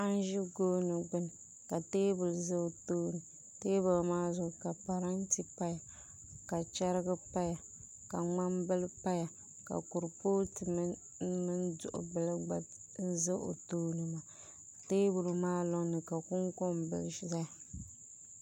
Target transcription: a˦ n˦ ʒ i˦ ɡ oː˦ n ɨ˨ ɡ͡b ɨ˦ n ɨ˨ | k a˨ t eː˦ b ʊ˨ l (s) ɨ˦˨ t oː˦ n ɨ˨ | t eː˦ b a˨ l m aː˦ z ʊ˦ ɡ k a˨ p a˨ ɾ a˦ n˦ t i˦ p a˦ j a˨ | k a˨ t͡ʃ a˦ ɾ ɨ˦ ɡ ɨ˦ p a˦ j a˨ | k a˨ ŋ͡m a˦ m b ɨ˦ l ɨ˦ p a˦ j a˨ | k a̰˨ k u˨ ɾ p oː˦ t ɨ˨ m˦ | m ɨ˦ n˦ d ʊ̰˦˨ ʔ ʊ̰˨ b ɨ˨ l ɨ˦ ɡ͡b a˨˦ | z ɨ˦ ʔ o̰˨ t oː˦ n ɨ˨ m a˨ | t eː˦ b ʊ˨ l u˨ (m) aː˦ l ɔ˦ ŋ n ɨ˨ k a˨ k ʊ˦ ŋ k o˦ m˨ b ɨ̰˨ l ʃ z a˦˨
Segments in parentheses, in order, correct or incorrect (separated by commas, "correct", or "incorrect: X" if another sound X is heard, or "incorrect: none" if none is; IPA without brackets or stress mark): incorrect: z, correct